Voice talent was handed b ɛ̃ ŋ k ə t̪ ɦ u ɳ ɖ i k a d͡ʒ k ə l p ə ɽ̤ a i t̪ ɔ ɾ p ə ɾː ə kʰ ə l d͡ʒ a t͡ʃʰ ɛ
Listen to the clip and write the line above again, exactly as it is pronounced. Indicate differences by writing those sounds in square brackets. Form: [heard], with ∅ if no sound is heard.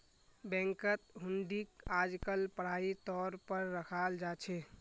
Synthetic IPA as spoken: b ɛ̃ ŋ k ə t̪ ɦ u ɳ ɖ i k a d͡ʒ k ə l p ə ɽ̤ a i t̪ ɔ ɾ p ə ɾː ə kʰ [a] l d͡ʒ a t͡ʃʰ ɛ